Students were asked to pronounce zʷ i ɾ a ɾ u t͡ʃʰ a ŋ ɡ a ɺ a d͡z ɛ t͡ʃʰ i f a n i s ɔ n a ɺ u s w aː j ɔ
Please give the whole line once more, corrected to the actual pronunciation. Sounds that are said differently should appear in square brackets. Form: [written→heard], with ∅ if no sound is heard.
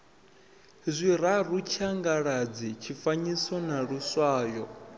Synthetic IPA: zʷ i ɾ a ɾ u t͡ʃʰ a ŋ ɡ a ɺ a d͡z [ɛ→i] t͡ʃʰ i f a [n→ɲ] i s ɔ n a ɺ u s w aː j ɔ